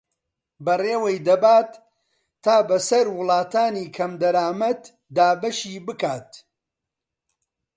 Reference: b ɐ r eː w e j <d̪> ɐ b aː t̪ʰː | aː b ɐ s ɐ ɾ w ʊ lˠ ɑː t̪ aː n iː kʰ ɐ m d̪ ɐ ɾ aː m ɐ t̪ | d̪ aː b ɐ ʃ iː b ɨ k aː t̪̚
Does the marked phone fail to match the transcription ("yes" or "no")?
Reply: no